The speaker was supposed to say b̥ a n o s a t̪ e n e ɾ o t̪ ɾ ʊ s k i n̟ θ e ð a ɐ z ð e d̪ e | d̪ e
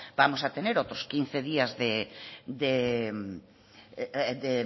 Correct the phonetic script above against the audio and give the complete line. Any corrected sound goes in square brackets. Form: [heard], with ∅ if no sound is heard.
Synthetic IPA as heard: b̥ a [m] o s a t̪ e n e ɾ o t̪ ɾ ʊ s k i n̟ θ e ð [i] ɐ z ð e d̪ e | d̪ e